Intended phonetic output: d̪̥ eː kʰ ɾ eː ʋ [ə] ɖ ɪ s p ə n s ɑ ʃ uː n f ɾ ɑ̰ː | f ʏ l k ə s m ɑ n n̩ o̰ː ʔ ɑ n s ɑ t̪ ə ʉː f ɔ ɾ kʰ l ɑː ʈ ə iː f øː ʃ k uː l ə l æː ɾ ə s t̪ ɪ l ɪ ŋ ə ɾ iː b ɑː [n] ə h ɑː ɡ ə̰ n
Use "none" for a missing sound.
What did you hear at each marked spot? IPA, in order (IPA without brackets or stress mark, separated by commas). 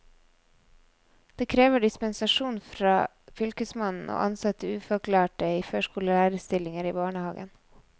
ə, ɳ